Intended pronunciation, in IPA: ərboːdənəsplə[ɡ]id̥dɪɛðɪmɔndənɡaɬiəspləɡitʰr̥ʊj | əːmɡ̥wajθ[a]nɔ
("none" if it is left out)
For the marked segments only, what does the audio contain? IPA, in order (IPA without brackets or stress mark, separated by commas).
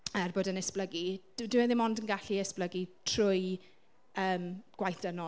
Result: ɡ, ə